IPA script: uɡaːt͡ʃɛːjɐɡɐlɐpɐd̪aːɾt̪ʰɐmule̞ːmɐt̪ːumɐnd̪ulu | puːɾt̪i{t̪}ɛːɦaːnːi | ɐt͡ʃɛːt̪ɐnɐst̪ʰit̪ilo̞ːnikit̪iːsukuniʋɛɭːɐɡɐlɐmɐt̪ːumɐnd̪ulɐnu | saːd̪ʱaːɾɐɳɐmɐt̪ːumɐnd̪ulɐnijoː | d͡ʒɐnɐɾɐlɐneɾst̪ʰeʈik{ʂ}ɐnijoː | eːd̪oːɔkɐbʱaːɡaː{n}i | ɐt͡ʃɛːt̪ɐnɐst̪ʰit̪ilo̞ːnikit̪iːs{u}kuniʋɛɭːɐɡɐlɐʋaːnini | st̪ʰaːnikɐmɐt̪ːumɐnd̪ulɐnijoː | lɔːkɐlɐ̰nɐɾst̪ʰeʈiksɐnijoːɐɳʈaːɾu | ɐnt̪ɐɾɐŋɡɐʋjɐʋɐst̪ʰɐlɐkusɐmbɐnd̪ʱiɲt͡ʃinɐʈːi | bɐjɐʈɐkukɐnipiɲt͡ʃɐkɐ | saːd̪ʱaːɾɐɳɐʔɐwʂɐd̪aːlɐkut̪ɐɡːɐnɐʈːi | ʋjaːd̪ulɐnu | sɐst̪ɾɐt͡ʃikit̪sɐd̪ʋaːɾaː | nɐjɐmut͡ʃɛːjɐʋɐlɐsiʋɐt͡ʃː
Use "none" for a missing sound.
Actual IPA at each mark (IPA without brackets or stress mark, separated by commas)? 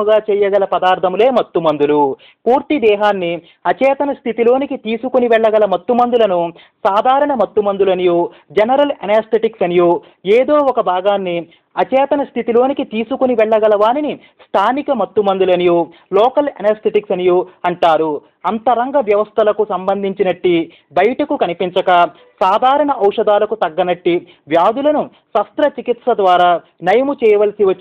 d̪, s, nː, u